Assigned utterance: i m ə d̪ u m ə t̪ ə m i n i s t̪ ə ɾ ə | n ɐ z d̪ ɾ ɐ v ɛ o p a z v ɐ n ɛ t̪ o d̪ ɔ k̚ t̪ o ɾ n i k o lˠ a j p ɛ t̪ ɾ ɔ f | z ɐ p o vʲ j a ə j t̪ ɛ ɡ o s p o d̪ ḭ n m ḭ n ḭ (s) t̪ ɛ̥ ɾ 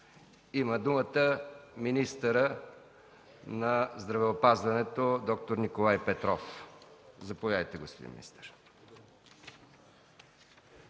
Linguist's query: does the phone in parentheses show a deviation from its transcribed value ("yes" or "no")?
no